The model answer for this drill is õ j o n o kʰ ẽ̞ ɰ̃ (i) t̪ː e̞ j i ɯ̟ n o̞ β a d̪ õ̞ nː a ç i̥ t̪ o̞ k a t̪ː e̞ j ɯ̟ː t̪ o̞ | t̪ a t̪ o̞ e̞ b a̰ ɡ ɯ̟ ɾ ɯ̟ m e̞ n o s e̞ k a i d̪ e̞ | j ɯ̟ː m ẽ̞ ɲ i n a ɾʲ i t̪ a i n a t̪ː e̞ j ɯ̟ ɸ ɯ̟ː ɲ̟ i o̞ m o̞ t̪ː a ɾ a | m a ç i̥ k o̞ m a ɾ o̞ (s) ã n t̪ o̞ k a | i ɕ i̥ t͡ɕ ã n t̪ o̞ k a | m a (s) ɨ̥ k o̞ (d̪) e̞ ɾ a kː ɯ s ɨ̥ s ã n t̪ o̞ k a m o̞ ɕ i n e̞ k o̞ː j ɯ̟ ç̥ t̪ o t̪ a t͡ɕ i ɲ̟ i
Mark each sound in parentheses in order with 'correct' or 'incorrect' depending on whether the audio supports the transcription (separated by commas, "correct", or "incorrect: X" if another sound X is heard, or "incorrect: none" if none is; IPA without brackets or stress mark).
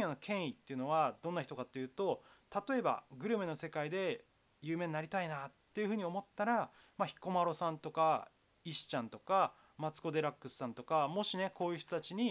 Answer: correct, correct, incorrect: t͡s, correct